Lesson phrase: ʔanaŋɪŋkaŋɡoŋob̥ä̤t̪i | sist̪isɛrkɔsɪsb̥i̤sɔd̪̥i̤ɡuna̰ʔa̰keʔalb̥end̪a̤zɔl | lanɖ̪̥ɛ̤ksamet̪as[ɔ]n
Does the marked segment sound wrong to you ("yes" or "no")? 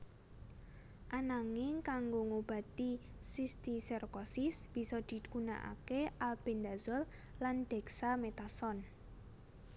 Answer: no